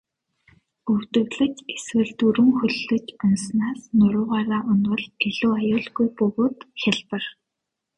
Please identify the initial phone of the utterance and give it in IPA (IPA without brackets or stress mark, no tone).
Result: ɵ